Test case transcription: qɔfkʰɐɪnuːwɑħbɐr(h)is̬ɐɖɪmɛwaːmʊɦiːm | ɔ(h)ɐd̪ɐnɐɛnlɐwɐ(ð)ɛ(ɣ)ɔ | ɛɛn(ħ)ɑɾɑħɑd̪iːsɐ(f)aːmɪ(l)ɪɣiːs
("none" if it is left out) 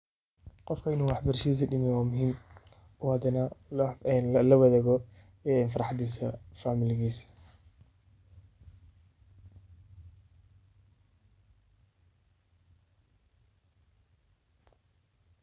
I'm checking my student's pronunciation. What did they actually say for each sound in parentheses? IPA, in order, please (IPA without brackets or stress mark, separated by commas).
ʃ, h, ð, ɣ, f, f, l